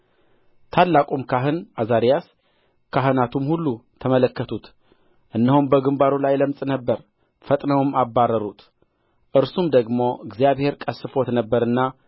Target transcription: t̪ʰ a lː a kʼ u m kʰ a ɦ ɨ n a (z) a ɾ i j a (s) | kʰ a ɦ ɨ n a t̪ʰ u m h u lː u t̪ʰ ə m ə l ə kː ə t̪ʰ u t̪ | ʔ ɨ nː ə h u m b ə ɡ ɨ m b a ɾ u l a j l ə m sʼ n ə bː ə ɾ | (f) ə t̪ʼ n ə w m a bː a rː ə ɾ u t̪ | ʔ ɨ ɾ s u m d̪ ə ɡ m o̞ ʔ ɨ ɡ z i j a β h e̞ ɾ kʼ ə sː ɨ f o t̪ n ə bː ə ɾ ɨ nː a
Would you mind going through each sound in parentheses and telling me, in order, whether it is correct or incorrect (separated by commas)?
correct, correct, correct